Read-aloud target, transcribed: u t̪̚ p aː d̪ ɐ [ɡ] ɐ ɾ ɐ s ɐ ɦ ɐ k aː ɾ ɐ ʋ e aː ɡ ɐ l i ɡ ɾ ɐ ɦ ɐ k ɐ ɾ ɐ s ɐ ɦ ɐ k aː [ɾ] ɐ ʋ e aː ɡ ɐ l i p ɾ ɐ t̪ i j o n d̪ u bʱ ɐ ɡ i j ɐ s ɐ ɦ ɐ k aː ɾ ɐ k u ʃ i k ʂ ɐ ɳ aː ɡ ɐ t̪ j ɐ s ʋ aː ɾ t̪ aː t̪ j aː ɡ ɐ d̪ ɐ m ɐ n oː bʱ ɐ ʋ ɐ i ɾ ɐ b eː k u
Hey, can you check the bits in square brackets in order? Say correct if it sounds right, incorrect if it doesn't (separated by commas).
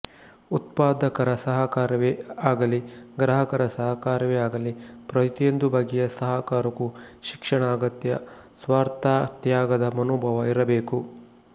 incorrect, correct